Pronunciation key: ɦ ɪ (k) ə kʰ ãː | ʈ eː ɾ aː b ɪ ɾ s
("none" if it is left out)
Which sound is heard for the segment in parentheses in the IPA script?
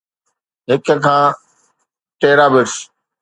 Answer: k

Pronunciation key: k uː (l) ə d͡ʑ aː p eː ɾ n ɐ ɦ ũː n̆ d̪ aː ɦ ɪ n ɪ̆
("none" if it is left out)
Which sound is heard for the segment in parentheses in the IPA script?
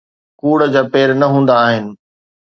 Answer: ɽ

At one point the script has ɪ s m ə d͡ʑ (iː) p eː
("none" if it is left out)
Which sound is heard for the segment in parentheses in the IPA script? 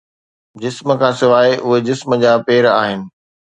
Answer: aː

